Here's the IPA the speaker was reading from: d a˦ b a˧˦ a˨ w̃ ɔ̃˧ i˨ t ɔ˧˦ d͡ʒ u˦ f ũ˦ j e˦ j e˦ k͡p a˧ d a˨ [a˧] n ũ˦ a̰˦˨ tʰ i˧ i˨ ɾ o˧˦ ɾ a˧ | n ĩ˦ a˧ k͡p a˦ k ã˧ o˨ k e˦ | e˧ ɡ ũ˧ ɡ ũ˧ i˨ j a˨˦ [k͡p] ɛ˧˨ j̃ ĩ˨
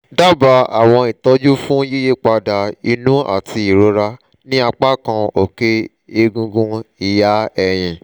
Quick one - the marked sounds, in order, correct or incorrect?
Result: incorrect: i˧, incorrect: none

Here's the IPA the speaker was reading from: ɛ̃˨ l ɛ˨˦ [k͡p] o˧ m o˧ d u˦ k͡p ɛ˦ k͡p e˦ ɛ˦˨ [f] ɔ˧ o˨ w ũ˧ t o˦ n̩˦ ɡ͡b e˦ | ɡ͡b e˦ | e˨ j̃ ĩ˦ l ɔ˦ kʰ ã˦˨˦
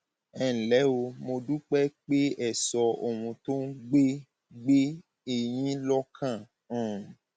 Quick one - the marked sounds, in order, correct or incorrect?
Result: incorrect: none, incorrect: s

